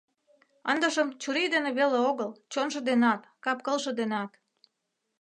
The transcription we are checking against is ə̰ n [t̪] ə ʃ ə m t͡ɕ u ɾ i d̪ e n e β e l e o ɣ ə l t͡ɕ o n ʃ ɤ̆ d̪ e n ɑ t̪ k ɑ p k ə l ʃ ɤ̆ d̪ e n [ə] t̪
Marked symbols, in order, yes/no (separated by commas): no, no